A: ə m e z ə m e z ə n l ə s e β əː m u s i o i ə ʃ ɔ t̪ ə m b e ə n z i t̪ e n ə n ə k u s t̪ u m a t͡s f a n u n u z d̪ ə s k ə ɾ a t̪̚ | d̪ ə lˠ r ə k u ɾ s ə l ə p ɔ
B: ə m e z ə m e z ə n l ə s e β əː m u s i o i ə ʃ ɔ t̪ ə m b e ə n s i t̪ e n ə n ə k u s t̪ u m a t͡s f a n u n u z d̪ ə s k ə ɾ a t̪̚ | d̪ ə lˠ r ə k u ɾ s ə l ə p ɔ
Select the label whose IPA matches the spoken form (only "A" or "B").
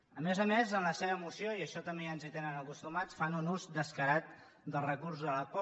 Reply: A